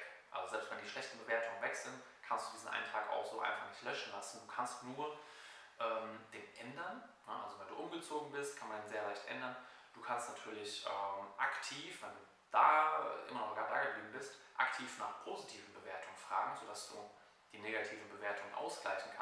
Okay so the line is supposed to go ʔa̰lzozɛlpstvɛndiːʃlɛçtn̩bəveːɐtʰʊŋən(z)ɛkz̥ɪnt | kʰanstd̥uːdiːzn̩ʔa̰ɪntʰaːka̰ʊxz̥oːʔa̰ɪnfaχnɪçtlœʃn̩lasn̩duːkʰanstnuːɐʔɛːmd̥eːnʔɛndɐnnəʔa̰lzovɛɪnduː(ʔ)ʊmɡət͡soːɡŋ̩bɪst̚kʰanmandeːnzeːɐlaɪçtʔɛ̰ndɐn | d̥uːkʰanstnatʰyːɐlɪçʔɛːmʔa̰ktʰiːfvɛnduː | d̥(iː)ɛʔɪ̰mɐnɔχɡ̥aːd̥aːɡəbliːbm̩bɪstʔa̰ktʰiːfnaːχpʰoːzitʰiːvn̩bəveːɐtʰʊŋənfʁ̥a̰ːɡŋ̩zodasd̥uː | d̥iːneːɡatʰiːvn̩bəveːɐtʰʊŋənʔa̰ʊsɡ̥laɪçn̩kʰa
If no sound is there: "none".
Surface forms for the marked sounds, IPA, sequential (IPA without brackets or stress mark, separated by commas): v, ʔ, aː